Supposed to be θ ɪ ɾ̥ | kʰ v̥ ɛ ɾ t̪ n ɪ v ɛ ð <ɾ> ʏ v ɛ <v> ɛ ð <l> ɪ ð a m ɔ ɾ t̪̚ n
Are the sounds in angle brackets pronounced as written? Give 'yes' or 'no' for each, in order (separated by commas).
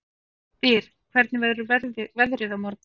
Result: yes, yes, no